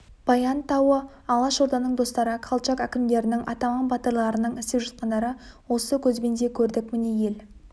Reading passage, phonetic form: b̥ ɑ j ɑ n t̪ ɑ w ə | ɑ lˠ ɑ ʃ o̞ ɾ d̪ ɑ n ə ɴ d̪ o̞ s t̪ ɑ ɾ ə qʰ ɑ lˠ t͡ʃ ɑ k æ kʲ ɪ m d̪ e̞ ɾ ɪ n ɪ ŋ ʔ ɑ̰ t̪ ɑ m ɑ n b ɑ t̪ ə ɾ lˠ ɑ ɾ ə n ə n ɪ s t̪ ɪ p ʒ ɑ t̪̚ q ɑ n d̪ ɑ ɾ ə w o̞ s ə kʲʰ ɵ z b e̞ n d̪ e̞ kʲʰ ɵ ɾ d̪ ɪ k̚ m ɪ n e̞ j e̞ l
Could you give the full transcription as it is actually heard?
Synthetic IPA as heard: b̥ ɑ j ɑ n t̪ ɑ w ə | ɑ lˠ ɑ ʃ o̞ ɾ d̪ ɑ n ə ɴ d̪ o̞ s t̪ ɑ ɾ ə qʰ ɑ lˠ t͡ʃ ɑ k æ kʲ ɪ m d̪ e̞ ɾ ɪ n ɪ ŋ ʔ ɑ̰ t̪ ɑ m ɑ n b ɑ t̪ ə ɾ lˠ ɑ ɾ ə n ə ɴ ɪ s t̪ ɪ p ʒ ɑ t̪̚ q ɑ n d̪ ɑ ɾ ə w o̞ s ə kʲʰ ɵ z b e̞ n d̪ e̞ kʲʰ ɵ ɾ d̪ ɪ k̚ m ɪ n e̞ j e̞ l